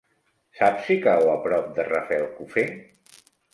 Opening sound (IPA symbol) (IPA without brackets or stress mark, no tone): s